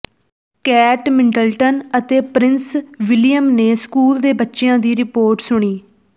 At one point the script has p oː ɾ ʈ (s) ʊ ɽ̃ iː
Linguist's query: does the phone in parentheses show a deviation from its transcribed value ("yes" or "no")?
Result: no